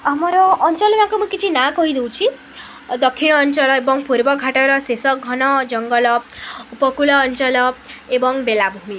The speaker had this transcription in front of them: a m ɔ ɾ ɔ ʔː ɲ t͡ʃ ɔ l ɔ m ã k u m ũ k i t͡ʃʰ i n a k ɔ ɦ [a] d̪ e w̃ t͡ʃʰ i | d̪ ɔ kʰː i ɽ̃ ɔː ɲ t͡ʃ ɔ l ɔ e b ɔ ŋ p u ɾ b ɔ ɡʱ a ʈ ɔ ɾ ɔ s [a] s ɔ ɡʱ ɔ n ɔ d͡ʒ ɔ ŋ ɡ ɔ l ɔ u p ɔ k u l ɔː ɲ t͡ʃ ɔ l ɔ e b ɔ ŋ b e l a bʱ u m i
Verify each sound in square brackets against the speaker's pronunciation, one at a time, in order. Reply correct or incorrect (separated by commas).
incorrect, incorrect